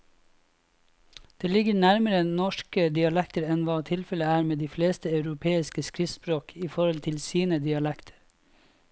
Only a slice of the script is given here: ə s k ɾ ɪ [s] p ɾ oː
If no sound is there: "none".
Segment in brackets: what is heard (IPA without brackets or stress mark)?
s